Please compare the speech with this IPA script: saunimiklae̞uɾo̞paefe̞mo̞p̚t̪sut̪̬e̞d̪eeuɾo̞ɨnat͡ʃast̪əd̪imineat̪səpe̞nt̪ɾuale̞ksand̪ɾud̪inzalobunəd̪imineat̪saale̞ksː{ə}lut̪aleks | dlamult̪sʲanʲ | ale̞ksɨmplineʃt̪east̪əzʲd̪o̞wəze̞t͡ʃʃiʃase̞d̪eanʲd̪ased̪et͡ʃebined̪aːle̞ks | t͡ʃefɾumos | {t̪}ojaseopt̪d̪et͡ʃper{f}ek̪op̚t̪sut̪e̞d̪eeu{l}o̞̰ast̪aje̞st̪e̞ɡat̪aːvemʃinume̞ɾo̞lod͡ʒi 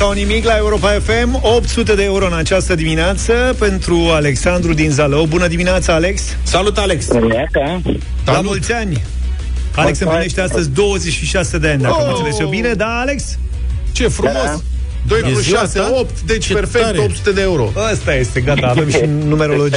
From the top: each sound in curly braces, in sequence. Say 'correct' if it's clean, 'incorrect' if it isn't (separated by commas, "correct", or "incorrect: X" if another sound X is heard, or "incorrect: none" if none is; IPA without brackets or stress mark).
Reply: incorrect: a, incorrect: d̪, correct, incorrect: ɾ